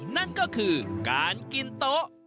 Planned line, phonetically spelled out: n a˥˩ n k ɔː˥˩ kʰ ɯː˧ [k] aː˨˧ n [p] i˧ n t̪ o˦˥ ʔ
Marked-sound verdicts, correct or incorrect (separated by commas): correct, incorrect